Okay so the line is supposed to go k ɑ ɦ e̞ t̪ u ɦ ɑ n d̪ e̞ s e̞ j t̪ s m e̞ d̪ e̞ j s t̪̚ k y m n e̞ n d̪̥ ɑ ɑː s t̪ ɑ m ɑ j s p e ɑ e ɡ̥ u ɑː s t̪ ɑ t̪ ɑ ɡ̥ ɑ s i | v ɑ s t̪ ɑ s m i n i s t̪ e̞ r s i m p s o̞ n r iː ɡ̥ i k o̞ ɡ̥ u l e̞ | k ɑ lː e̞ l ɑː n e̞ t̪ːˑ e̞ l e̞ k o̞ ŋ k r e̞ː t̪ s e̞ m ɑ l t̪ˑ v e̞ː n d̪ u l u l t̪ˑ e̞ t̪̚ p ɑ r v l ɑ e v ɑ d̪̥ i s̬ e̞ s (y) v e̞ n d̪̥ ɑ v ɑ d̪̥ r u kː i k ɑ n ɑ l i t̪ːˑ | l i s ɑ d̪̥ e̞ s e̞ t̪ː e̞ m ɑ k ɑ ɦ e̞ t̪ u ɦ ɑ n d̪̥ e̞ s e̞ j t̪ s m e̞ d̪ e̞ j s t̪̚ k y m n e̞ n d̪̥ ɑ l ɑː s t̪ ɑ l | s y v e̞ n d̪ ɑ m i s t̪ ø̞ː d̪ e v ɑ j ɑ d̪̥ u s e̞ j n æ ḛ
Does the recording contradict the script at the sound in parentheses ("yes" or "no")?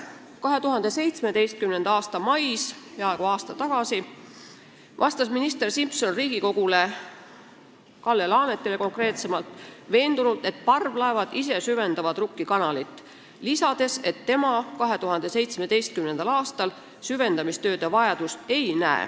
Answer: no